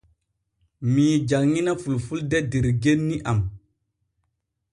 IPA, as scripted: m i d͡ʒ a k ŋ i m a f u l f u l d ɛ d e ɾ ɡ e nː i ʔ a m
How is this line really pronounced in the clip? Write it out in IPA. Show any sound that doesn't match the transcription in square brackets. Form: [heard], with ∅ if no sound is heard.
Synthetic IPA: m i d͡ʒ a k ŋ i [n] a f u l f u l d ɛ d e ɾ ɡ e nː i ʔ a m